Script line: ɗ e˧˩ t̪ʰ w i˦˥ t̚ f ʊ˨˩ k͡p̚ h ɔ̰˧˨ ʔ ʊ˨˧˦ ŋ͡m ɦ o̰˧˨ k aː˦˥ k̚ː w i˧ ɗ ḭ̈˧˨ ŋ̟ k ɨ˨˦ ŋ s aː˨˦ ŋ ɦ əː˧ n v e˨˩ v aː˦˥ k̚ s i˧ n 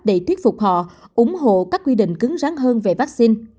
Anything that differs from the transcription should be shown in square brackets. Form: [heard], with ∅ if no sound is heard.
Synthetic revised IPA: ɗ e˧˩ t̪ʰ w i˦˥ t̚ f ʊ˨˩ k͡p̚ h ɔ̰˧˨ ʔ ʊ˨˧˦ ŋ͡m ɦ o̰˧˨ k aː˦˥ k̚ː w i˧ ɗ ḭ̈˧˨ ŋ̟ k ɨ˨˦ ŋ [z] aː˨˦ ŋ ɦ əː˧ n v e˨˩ v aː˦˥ k̚ s i˧ n